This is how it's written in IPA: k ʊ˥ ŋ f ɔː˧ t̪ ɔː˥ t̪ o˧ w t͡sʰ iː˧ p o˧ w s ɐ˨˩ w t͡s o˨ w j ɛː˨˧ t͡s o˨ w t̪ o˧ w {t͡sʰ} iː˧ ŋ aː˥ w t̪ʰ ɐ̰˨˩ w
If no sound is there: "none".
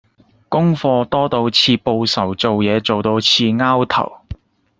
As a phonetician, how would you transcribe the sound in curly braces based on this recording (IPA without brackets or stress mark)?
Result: t͡sʰ